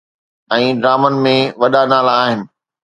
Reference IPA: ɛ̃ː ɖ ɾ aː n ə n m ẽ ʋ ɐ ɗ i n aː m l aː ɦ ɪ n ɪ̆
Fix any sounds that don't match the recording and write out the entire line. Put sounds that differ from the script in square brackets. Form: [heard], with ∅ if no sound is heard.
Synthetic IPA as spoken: ɛ̃ː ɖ ɾ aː [m] ə n m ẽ ʋ ɐ ɗ [a] n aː [∅] l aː ɦ ɪ n ɪ̆